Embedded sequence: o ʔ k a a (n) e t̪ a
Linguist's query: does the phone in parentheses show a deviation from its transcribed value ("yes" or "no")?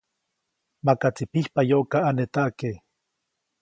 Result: no